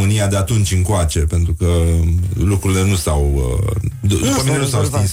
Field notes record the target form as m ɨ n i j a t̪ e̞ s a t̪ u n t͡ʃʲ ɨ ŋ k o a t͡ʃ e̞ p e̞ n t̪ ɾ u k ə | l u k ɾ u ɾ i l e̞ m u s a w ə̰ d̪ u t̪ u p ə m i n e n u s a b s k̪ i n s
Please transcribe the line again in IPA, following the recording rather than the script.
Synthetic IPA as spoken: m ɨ n i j a d̪ e̞ a t̪ u n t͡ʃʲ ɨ ŋ k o a t͡ʃ e̞ p e̞ n t̪ ɾ u k ə | l u k ɾ u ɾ i l e̞ n u s a w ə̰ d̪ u d̪ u p ə m i n e n u s a w s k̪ i n s